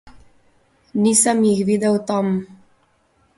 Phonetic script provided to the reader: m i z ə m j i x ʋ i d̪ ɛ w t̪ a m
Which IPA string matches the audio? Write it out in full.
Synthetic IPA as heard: n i s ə m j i x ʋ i d̪ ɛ w t̪ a m